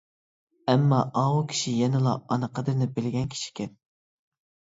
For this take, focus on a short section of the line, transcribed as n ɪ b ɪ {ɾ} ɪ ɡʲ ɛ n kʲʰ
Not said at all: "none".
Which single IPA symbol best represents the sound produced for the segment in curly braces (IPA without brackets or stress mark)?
l